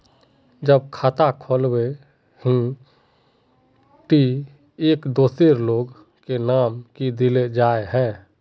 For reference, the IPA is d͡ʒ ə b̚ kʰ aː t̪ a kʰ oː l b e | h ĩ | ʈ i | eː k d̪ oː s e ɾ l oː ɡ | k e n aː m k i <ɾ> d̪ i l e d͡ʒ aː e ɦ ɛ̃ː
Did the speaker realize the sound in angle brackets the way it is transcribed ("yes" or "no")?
no